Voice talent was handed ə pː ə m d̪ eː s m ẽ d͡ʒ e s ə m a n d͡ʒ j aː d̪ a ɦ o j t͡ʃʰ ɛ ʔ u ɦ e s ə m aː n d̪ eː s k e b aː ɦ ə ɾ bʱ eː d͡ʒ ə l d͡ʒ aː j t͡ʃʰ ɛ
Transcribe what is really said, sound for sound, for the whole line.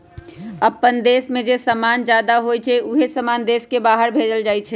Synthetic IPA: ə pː ə n d̪ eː s m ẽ d͡ʒ e s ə m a n d͡ʒ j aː d̪ a ɦ o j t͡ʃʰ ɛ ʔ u ɦ e s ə m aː n d̪ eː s k e b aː ɦ ə ɾ bʱ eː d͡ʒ ə l d͡ʒ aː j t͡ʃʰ ɛ